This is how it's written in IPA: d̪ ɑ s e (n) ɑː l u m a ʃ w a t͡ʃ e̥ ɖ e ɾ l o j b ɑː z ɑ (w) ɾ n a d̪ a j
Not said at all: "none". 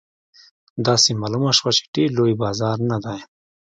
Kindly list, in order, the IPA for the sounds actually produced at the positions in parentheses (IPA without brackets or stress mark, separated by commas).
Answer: m, none